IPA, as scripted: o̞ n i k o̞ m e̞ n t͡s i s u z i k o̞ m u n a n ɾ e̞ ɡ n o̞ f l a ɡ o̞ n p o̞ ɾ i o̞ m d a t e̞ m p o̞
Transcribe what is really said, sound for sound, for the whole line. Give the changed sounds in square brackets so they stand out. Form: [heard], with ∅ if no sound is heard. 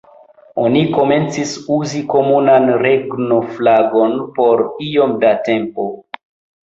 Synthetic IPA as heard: o̞ n i k o̞ m e̞ n t͡s i s u z i k o̞ m u n a n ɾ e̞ ɡ n o̞ f l a ɡ o̞ n p o̞ ɾ i o̞ m d a t e̞ m p o̞